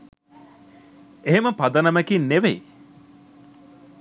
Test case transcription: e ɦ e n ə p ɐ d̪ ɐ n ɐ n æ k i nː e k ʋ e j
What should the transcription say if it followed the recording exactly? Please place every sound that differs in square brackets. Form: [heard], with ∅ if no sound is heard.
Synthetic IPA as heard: e ɦ e [m] ə p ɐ d̪ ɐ n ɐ [m] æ k i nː e [∅] ʋ e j